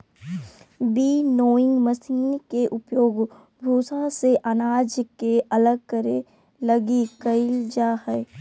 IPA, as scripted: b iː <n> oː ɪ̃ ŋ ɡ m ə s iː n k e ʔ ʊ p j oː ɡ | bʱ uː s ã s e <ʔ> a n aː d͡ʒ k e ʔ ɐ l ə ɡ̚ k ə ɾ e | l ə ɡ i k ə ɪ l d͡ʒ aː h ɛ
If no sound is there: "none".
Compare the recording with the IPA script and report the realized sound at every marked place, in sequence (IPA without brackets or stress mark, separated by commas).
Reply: n, ʔ